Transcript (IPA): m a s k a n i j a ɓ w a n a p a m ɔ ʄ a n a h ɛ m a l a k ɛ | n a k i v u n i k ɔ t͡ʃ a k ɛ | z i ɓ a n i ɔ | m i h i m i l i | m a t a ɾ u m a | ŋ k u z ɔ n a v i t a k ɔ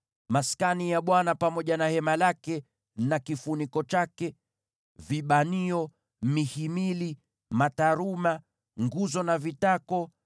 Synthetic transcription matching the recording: m a s k a n i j a ɓ w a n a p a m ɔ ʄ a n a h ɛ m a l a k ɛ | n a k i f u n i k ɔ t͡ʃ a k ɛ | v i ɓ a n i ɔ | m i h i m i l i | m a t a ɾ u m a | ŋ ɡ u z ɔ n a v i t a k ɔ

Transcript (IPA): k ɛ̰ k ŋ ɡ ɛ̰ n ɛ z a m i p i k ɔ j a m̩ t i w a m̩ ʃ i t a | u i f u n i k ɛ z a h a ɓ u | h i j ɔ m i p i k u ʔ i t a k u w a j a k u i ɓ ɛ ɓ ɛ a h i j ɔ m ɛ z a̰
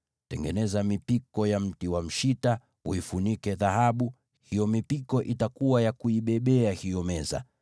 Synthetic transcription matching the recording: t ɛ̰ ŋ ɡ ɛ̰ n ɛ z a m i p i k ɔ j a m̩ t i w a m̩ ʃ i t a | u i f u n i k ɛ ð a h a ɓ u | h i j ɔ m i p i k ɔ ʔ i t a k u w a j a k u i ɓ ɛ ɓ ɛ a h i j ɔ m ɛ z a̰

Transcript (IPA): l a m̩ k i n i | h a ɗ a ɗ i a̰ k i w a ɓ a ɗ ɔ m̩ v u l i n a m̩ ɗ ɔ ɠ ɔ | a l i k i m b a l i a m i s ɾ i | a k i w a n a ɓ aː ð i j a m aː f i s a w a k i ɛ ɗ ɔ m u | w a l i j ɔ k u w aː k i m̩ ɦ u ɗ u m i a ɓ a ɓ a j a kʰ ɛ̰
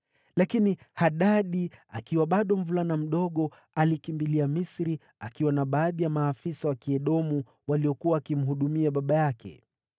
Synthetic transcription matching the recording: l a k i n i | h a ɗ a ɗ i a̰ k i w a ɓ a ɗ ɔ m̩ v u l a n a m̩ ɗ ɔ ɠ ɔ | a l i k i m b i l i a m i s ɾ i | a k i w a n a ɓ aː ð i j a m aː f i s a w a k i ɛ ɗ ɔ m u | w a l i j ɔ k u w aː k i m̩ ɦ u ɗ u m i a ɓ a ɓ a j a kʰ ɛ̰

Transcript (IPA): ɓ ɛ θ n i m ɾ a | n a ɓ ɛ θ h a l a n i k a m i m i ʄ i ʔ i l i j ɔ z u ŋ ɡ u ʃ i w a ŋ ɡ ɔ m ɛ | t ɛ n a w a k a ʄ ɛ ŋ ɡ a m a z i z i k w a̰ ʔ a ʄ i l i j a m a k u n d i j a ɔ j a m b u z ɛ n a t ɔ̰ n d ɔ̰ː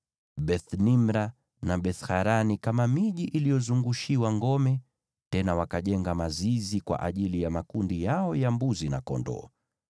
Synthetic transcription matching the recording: ɓ ɛ θ n i m ɾ a | n a ɓ ɛ θ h a ɾ a n i k a m a m i ʄ i ʔ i l i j ɔ z u ŋ ɡ u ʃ i w a ŋ ɡ ɔ m ɛ | t ɛ n a w a k a ʄ ɛ ŋ ɡ a m a z i z i k w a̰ ʔ a ʄ i l i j a m a k u n d i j a ɔ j a m b u z i n a k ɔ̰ n d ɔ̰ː

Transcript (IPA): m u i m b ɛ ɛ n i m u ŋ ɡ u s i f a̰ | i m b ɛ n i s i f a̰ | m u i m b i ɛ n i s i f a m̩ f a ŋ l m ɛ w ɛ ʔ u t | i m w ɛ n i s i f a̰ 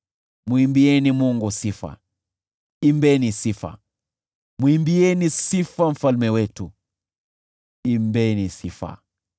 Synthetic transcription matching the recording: m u i m b i ɛ n i m u ŋ ɡ u s i f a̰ | i m b ɛ n i s i f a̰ | m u i m b i ɛ n i s i f a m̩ f a l m ɛ w ɛ t u | i m b ɛ n i s i f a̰

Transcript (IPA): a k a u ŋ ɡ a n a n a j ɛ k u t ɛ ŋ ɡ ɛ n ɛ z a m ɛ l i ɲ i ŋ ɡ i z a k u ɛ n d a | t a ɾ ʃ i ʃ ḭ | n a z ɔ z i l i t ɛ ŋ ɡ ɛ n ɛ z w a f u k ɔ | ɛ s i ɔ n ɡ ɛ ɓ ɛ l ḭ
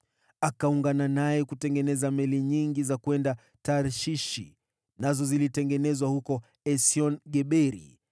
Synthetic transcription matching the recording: a k a u ŋ ɡ a n a n a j ɛ k u t ɛ ŋ ɡ ɛ n ɛ z a m ɛ l i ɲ i ŋ ɡ i z a k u ɛ n d a | t a ɾ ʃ i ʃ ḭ | n a z ɔ z i l i t ɛ ŋ ɡ ɛ n ɛ z w a h u k ɔ | ɛ s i ɔ n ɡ ɛ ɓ ɛ ɾ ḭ

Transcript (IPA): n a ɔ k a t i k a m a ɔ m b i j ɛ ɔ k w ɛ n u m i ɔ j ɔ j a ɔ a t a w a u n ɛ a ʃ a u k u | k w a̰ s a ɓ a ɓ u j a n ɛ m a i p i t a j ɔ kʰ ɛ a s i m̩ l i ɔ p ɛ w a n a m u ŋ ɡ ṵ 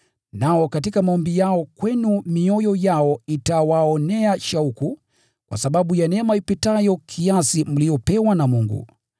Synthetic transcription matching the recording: n a ɔ k a t i k a m a ɔ m b i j a ɔ k w ɛ n u m i ɔ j ɔ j a ɔ i t a w a ɔ n ɛ a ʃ a u k u | k w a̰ s a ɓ a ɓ u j a n ɛ m a i p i t a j ɔ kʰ i a s i m̩ l i ɔ p ɛ w a n a m u ŋ ɡ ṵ

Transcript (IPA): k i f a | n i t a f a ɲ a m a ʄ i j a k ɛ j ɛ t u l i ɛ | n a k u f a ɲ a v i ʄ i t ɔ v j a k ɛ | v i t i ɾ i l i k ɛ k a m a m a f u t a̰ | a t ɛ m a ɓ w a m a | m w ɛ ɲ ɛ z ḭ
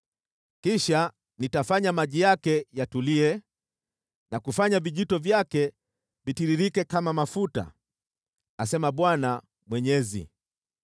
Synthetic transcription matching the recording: k i ʃ a | n i t a f a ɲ a m a ʄ i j a k ɛ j a t u l i ɛ | n a k u f a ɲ a v i ʄ i t ɔ v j a k ɛ | v i t i ɾ i ɾ i k ɛ k a m a m a f u t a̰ | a s ɛ m a ɓ w a n a | m w ɛ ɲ ɛ z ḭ

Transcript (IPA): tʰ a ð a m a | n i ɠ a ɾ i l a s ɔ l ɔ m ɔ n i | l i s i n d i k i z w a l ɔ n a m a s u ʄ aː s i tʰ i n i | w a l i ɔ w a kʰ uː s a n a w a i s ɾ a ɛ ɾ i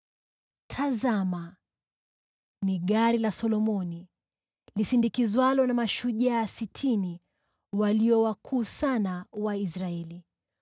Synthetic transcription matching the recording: tʰ a z a m a | n i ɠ a ɾ i l a s ɔ l ɔ m ɔ n i | l i s i n d i k i z w a l ɔ n a m a ʃ u ʄ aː s i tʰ i n i | w a l i ɔ w a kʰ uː s a n a w a i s ɾ a ɛ l i

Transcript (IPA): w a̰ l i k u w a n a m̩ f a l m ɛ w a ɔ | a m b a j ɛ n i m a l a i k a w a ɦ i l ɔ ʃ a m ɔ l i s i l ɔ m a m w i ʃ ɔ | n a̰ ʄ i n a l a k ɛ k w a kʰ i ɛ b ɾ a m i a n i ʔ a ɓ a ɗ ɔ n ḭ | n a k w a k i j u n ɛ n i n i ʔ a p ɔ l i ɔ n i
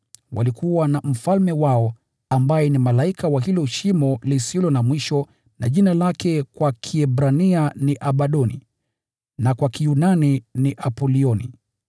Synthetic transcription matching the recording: w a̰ l i k u w a n a m̩ f a l m ɛ w a ɔ | a m b a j ɛ n i m a l a i k a w a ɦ i l ɔ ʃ i m ɔ l i s i l ɔ n a m w i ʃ ɔ | n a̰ ʄ i n a l a k ɛ k w a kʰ i ɛ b ɾ a n i a n i ʔ a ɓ a ɗ ɔ n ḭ | n a k w a k i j u n a n i n i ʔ a p ɔ l i ɔ n i

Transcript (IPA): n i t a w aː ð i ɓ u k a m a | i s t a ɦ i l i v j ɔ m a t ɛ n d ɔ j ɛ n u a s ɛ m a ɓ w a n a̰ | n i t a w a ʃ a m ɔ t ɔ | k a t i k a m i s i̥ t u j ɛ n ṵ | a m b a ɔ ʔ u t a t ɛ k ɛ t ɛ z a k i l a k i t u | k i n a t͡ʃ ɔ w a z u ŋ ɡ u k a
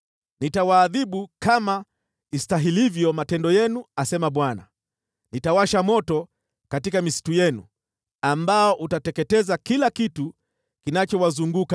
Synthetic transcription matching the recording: n i t a w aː ð i ɓ u k a m a | i s t a ɦ i l i v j ɔ m a t ɛ n d ɔ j ɛ n u a s ɛ m a ɓ w a n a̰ | n i t a w a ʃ a m ɔ t ɔ | k a t i k a m i s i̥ t u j ɛ n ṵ | a m b a ɔ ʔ u t a t ɛ k ɛ t ɛ z a k i l a k i t u | k i n a t͡ʃ ɔ w a z u ŋ ɡ u k a

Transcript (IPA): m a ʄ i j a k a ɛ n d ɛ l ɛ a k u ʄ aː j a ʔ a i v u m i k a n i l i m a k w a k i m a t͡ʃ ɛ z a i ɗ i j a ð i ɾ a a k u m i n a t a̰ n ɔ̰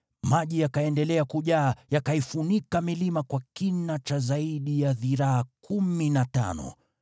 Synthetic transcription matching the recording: m a ʄ i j a k a ɛ n d ɛ l ɛ a k u ʄ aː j a k a i f u n i k a m i l i m a k w a k i n a t͡ʃ a z a i ɗ i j a ð i ɾ a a k u m i n a t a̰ n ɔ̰

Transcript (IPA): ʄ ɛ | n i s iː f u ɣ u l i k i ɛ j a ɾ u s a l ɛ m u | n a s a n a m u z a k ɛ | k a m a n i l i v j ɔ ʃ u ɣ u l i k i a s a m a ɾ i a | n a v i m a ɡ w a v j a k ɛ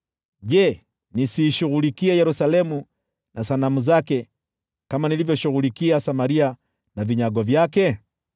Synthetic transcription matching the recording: ʄ ɛ | n i s iː ʃ u ɣ u l i k i ɛ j ɛ ɾ u s a l ɛ m u | n a s a n a m u z a k ɛ | k a m a n i l i v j ɔ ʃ u ɣ u l i k i a s a m a ɾ i a | n a v i ɲ a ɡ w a v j a k ɛ

